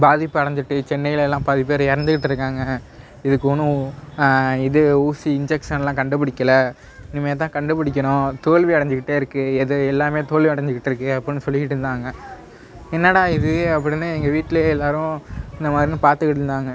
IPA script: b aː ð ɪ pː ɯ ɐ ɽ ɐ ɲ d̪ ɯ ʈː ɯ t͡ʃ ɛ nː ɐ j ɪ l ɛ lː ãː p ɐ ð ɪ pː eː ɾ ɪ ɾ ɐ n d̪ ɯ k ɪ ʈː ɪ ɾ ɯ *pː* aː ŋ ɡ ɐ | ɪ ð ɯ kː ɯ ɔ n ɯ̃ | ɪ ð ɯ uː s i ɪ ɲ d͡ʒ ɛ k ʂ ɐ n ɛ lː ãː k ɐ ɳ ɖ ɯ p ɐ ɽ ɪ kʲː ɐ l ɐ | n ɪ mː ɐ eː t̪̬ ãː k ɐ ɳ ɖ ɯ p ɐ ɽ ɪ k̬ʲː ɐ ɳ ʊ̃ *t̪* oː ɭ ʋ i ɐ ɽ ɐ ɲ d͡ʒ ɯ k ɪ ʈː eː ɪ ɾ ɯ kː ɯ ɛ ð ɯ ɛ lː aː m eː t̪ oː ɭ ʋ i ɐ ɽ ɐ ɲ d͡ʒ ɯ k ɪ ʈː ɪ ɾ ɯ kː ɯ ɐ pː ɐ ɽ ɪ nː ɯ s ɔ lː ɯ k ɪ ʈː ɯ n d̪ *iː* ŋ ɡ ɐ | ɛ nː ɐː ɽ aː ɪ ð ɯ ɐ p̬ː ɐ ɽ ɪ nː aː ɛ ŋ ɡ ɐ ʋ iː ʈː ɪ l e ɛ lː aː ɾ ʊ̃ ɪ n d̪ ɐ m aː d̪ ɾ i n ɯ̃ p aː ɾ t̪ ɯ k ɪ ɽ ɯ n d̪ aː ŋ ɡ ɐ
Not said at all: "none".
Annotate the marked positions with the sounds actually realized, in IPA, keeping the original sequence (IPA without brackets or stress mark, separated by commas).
kː, t̪, aː